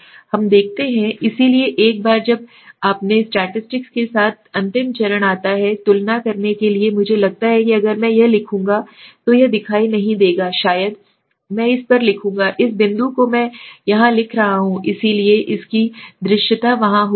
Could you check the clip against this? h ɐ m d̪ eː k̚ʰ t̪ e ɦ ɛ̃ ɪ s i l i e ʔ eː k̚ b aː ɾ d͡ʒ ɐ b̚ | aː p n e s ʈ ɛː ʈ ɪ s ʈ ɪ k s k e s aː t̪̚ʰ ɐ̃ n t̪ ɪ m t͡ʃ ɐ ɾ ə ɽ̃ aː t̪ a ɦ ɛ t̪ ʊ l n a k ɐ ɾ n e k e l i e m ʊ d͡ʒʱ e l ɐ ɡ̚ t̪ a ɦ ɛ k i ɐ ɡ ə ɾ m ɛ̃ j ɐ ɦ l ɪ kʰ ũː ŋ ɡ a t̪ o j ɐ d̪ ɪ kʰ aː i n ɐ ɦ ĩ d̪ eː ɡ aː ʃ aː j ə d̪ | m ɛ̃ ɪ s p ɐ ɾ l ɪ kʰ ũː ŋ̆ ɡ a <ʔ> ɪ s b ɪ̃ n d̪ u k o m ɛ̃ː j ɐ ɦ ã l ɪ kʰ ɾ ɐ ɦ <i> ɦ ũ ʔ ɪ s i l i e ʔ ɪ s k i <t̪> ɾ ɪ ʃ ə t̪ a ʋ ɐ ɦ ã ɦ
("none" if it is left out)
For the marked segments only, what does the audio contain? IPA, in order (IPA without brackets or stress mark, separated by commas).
ʔ, a, d̪